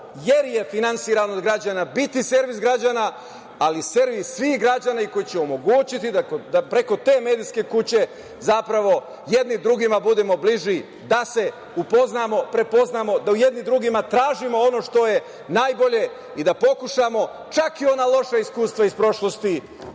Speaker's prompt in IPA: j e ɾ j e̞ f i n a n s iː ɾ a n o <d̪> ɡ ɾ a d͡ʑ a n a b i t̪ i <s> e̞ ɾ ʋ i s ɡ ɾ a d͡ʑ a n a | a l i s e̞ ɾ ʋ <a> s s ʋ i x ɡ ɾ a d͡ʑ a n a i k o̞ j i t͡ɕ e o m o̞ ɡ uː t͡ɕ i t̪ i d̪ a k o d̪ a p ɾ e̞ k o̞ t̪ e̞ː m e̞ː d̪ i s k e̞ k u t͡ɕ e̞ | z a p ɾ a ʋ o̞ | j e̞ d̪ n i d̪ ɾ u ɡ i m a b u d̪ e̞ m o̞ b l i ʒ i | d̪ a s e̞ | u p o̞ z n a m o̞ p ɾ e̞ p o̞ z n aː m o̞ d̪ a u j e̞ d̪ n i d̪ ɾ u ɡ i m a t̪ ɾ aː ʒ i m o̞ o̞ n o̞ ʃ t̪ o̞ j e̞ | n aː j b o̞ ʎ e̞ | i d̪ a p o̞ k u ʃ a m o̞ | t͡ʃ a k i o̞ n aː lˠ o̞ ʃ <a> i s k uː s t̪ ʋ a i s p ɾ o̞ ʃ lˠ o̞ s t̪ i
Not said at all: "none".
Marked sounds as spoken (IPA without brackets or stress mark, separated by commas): d̪, s, i, a